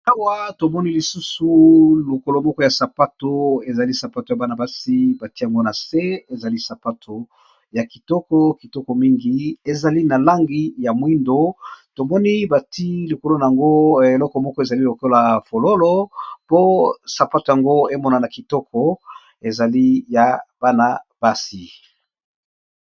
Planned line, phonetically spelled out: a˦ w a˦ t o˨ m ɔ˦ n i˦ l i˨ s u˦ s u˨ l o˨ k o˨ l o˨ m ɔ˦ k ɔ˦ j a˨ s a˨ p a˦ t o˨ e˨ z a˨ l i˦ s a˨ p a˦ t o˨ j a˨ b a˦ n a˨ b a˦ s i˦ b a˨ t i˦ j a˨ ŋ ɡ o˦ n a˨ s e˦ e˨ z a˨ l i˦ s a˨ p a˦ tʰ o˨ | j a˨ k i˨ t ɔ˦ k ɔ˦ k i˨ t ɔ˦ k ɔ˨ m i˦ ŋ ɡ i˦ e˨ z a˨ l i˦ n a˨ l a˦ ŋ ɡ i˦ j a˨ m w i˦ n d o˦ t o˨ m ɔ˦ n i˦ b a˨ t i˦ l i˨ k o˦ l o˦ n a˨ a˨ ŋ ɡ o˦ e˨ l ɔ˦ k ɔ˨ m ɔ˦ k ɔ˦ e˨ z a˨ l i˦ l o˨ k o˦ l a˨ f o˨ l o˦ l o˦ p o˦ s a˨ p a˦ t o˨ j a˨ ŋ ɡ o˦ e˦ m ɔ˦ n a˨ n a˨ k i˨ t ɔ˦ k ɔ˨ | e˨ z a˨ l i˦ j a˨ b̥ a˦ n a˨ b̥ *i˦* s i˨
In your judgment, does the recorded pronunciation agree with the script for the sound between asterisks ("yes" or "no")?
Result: no